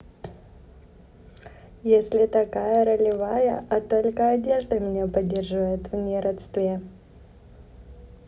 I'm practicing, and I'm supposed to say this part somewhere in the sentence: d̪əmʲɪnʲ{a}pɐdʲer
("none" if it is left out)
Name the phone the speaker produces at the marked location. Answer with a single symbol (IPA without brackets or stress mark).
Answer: e